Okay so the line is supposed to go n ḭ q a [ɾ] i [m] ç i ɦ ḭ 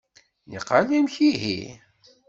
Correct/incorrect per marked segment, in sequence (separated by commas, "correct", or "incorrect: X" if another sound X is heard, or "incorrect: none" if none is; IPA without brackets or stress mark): incorrect: l, correct